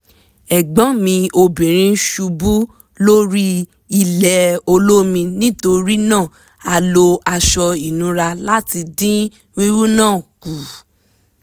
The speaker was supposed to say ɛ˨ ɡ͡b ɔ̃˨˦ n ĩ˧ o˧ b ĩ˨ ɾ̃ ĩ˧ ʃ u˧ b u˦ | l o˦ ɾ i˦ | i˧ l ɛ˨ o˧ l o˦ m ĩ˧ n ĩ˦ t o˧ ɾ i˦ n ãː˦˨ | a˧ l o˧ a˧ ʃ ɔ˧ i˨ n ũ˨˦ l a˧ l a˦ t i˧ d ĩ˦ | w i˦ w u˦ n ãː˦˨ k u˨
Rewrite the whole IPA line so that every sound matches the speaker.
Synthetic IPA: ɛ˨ ɡ͡b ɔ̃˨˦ m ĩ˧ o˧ b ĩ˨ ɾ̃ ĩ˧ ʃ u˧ b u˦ | l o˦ ɾ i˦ | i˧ l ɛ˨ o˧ l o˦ m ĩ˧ n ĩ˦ t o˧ ɾ i˦ n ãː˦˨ | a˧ l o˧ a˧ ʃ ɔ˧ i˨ n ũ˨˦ ɾ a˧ l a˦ t i˧ d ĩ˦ | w i˦ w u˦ n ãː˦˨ k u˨